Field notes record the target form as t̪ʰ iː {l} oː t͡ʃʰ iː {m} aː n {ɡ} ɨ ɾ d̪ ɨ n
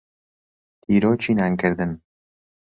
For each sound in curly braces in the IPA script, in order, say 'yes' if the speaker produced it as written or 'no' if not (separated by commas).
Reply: no, no, no